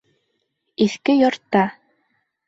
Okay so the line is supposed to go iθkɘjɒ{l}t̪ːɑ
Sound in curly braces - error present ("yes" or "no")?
yes